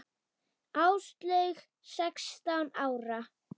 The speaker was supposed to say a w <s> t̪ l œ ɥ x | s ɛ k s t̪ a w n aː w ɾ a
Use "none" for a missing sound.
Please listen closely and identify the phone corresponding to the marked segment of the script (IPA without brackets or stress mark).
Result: s